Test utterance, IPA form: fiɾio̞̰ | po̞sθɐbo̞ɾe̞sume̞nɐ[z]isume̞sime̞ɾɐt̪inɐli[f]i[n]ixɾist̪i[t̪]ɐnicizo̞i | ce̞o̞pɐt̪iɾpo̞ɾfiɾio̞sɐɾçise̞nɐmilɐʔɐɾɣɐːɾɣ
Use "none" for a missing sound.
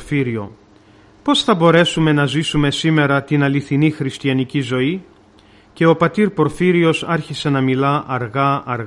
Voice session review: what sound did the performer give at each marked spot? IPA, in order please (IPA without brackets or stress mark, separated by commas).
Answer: z, θ, n, none